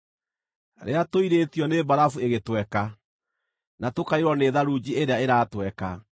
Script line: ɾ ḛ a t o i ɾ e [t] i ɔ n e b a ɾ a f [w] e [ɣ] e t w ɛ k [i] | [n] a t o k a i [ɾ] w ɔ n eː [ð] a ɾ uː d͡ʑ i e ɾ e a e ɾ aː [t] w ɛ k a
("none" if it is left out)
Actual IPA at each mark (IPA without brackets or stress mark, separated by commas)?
t, u, ɣ, a, n, ɾ, ð, t